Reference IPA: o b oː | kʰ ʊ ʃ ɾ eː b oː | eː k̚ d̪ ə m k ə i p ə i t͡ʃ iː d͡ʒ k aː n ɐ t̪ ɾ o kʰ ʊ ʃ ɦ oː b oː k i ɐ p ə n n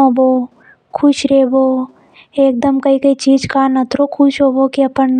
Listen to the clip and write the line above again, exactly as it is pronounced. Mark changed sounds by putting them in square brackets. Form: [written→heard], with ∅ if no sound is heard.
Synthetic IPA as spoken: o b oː | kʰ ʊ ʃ ɾ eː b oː | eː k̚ d̪ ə m k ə i [p→k] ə i t͡ʃ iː d͡ʒ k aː n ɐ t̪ ɾ o kʰ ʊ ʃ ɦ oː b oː k i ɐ p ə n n

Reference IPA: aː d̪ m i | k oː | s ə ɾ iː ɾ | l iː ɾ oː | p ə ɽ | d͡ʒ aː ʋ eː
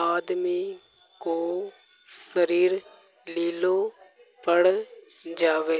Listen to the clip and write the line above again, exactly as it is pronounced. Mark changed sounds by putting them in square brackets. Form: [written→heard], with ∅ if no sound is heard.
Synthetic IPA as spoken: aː d̪ m i | k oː | s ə ɾ iː ɾ | l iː [ɾ→l] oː | p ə ɽ | d͡ʒ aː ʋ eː

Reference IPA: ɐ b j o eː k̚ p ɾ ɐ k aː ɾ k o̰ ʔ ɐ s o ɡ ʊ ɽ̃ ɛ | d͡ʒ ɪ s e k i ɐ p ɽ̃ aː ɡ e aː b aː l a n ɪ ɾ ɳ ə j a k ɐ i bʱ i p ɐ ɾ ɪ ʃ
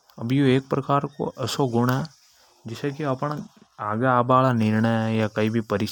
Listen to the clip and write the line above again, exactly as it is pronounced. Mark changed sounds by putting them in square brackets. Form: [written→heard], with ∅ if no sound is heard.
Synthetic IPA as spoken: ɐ b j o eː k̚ p ɾ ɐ k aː ɾ k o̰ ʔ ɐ s o ɡ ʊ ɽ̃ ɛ | d͡ʒ ɪ s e k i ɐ p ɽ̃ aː ɡ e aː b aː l a n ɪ ɾ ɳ ə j a k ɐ i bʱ i p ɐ ɾ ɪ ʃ

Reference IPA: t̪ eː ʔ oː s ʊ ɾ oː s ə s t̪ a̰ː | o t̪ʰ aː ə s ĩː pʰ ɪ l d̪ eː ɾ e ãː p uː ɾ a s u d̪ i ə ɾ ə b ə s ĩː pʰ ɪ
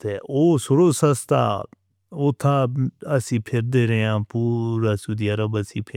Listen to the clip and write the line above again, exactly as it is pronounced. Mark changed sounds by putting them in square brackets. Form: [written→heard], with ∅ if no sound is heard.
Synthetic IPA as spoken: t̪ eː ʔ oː s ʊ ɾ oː s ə s t̪ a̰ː | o t̪ʰ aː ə s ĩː pʰ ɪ [l→ɾ] d̪ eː ɾ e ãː p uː ɾ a s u d̪ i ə ɾ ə b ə s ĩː pʰ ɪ

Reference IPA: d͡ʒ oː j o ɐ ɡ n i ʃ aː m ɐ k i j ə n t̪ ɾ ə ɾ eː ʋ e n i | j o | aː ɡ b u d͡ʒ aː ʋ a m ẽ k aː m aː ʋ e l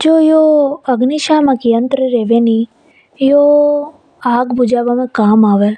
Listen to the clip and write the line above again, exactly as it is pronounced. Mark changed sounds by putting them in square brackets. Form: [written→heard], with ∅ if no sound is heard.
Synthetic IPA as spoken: d͡ʒ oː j o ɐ ɡ n i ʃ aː m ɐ k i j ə n t̪ ɾ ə ɾ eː ʋ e n i | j o | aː ɡ b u d͡ʒ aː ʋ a m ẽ k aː m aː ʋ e l

